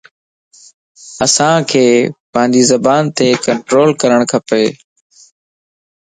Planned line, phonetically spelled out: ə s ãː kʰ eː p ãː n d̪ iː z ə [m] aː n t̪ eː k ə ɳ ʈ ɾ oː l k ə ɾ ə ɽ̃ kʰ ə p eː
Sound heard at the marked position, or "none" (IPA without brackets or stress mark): b